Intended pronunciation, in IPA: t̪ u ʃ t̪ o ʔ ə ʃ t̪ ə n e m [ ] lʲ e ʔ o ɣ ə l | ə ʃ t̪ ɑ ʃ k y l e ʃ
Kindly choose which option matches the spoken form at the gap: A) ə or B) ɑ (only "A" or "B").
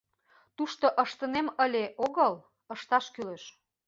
A